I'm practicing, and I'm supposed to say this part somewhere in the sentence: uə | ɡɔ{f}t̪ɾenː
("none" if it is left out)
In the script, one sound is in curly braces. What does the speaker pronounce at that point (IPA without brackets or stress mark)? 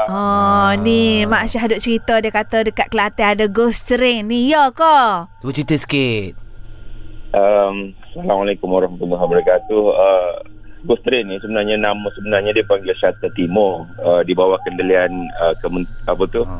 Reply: s